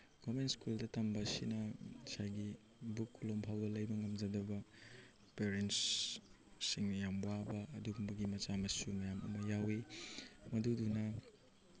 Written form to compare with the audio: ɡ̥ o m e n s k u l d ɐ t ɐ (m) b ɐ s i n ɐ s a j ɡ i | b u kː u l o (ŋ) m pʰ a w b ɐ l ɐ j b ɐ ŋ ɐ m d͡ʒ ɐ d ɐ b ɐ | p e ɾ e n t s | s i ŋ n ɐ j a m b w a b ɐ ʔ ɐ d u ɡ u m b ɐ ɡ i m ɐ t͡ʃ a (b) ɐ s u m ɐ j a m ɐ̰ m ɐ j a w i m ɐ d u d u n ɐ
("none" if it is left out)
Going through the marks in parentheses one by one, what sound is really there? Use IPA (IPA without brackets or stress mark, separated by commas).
m, none, m